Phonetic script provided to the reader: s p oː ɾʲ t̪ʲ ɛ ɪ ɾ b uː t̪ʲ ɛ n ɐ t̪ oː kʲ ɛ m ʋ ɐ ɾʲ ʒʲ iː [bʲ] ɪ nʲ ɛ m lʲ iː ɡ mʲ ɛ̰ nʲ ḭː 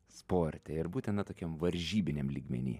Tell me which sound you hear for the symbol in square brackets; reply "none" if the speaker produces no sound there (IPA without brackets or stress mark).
bʲ